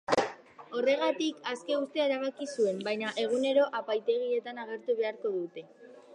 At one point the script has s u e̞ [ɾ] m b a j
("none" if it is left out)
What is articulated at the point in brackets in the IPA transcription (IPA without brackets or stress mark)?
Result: none